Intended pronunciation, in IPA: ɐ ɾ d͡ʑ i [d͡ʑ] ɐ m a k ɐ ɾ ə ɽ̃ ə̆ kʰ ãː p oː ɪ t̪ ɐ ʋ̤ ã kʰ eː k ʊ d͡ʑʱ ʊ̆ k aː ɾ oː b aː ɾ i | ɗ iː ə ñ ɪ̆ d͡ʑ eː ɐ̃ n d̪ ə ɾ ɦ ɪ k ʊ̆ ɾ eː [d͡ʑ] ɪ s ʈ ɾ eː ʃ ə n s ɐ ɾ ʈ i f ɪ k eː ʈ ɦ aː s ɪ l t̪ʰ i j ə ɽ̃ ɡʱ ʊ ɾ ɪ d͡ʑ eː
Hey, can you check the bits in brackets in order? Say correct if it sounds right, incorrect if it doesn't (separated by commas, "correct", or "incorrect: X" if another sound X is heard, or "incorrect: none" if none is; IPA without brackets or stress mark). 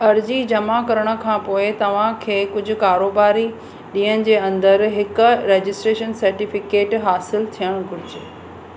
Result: correct, correct